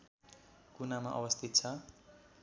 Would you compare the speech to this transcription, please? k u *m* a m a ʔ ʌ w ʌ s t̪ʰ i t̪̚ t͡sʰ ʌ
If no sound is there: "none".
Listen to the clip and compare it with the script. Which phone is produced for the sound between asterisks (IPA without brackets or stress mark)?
n